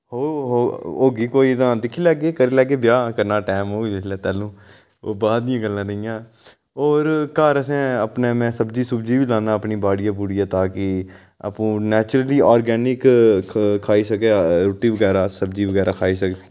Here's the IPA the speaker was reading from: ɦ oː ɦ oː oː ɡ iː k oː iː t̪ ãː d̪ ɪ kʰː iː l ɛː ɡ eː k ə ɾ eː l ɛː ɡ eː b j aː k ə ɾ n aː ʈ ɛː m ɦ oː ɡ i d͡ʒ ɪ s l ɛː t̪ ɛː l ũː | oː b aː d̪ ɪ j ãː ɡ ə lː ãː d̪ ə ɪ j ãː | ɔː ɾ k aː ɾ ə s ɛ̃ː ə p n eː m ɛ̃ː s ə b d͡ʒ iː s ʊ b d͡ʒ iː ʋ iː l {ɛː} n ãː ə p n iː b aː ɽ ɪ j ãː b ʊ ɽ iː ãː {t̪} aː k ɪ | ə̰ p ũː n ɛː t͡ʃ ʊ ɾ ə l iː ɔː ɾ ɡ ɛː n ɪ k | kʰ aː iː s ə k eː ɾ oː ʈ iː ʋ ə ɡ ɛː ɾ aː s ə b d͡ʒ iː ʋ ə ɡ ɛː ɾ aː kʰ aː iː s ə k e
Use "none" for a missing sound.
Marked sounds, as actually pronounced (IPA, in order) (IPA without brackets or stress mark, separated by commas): aː, t̪